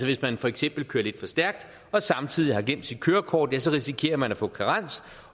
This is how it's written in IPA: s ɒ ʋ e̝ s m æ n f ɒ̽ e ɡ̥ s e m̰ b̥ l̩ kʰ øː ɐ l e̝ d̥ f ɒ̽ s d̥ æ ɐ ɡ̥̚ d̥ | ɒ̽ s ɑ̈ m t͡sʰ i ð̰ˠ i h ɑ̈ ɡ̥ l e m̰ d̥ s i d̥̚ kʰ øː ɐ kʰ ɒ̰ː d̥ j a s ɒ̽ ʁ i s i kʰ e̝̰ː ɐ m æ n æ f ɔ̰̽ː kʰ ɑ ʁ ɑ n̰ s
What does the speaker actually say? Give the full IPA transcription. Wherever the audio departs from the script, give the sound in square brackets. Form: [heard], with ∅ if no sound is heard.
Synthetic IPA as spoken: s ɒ ʋ e̝ s m æ n f ɒ̽ e ɡ̥ s e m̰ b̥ l̩ kʰ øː ɐ l e̝ d̥ f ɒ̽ s d̥ æ ɐ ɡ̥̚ d̥ | ɒ̽ s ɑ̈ m t͡sʰ i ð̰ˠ i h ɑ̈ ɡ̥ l e m̰ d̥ s i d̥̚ kʰ øː ɐ kʰ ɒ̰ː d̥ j [æ] s ɒ̽ ʁ i s i kʰ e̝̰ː ɐ m æ n æ f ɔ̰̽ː kʰ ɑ ʁ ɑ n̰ s